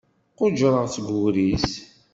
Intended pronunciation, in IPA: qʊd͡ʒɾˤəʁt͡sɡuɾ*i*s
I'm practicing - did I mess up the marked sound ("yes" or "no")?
no